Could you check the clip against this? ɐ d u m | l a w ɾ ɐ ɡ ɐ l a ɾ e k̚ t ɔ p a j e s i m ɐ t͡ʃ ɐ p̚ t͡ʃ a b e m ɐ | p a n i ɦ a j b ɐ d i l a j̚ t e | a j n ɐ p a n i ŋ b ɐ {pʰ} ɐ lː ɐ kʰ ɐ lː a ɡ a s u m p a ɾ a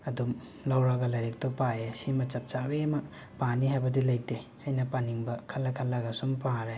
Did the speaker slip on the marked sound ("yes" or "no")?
yes